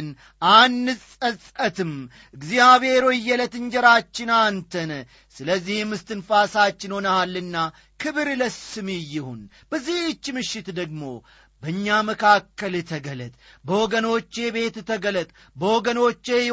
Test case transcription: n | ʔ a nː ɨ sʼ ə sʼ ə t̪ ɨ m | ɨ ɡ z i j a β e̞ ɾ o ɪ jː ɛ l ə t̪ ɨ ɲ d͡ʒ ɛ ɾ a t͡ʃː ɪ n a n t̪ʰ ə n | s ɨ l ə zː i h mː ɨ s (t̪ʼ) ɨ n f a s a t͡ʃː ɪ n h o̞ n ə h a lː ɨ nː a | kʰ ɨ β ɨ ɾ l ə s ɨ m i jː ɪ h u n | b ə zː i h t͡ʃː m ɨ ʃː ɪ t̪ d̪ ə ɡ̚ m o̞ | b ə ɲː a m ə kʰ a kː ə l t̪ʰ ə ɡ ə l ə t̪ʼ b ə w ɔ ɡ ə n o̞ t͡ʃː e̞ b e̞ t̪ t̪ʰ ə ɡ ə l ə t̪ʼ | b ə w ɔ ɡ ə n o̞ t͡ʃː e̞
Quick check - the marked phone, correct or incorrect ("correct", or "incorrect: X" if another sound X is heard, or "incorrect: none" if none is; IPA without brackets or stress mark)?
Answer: incorrect: t̪